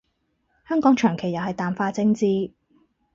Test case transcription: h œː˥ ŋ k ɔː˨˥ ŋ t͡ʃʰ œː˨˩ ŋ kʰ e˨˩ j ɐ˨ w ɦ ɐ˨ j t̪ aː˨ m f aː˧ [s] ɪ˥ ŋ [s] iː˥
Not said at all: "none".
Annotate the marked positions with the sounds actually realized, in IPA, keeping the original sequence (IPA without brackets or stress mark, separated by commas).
t͡s, t͡s